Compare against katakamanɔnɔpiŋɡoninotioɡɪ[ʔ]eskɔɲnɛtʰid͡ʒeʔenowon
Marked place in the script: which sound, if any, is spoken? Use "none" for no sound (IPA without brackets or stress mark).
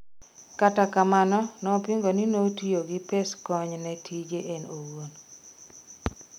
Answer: p